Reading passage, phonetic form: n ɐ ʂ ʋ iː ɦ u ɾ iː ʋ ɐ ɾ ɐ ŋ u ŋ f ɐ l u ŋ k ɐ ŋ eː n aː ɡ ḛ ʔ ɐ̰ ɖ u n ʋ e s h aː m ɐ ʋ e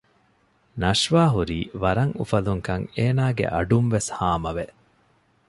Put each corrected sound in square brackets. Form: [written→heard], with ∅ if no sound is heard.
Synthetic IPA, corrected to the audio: n ɐ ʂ ʋ [iː→aː] ɦ u ɾ iː ʋ ɐ ɾ ɐ ŋ u [ŋ→∅] f ɐ l u ŋ k ɐ ŋ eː n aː ɡ ḛ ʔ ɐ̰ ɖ u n ʋ e s h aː m ɐ ʋ e